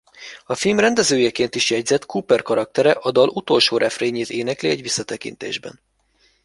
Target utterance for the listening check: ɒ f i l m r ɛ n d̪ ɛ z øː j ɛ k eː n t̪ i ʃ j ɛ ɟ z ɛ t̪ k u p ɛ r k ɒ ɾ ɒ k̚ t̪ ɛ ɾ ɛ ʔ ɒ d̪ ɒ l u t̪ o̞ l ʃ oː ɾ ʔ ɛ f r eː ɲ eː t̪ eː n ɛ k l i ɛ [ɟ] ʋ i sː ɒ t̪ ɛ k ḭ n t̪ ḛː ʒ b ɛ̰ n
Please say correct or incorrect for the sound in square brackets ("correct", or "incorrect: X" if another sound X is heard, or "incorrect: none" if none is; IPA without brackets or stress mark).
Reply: correct